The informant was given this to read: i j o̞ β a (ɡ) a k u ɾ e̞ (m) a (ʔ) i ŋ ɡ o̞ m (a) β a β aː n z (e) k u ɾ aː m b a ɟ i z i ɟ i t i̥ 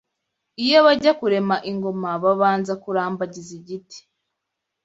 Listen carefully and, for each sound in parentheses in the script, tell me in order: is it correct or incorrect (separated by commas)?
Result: incorrect, correct, correct, correct, incorrect